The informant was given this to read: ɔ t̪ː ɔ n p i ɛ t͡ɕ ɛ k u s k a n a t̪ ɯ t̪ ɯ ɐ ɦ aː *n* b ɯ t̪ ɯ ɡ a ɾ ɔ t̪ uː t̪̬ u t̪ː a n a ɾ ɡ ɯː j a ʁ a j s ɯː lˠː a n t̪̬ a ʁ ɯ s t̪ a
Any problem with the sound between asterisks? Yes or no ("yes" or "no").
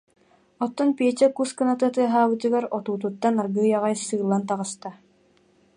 yes